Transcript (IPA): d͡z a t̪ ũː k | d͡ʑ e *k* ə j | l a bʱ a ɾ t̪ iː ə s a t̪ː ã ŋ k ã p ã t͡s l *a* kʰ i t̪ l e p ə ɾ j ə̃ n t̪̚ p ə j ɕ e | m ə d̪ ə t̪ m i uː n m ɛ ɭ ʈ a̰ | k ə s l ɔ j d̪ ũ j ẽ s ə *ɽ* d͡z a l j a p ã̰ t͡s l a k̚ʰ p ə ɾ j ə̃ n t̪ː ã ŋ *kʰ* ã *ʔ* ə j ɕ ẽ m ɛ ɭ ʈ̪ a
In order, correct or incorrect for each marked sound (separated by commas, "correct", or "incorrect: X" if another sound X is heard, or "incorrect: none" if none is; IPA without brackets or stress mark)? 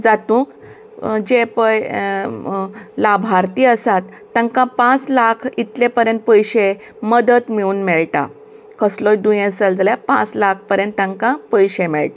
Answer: incorrect: p, correct, incorrect: l, incorrect: k, incorrect: p